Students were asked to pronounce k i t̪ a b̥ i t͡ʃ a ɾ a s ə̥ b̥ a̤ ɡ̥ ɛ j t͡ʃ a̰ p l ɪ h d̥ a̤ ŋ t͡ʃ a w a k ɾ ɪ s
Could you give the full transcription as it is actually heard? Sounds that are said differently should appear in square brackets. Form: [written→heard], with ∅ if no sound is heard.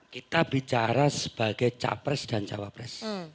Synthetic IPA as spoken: k i t̪ a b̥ i t͡ʃ a ɾ a s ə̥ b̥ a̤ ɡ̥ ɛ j t͡ʃ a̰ p [l→ɾ] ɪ [h→s] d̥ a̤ [ŋ→n] t͡ʃ a w a [k→p] ɾ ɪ s